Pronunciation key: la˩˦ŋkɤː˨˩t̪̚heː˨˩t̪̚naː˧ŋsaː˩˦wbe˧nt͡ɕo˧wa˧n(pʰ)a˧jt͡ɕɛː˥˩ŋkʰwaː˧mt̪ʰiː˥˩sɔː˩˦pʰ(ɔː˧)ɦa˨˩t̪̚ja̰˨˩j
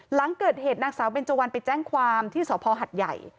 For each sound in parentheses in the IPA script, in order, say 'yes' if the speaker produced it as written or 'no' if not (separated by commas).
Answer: no, yes